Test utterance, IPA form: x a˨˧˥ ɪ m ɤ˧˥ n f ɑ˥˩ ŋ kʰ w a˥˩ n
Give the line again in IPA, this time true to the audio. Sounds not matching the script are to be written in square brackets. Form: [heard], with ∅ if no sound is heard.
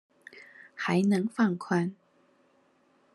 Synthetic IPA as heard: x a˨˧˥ ɪ [n] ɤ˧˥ [ŋ] f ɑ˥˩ ŋ kʰ w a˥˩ n